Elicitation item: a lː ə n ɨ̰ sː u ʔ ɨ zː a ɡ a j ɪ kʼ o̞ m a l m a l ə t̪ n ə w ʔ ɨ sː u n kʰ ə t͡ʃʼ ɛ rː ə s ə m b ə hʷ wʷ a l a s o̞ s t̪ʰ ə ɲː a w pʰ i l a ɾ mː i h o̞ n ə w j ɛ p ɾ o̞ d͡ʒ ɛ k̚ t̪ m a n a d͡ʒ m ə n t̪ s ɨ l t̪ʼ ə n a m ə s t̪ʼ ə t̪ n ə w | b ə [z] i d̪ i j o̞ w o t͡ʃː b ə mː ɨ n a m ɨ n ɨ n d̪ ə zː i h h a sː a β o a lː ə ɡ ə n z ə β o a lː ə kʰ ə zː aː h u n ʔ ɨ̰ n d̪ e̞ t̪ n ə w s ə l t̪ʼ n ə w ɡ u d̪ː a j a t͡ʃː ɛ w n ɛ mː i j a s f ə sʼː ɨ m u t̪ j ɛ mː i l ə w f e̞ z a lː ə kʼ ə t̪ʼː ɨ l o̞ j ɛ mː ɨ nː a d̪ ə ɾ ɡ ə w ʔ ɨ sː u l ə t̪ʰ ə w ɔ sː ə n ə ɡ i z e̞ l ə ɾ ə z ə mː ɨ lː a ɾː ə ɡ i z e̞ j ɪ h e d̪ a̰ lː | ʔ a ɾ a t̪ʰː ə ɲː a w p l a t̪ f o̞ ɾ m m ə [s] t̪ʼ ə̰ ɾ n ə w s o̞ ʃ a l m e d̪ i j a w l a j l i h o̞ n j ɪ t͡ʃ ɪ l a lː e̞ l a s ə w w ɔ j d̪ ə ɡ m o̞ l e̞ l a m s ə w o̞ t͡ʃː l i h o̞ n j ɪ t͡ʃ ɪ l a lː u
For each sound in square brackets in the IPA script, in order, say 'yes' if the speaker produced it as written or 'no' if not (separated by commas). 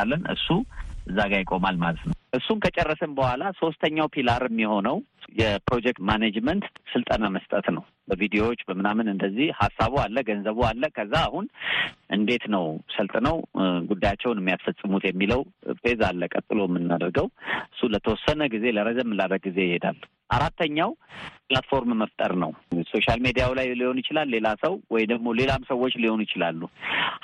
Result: no, no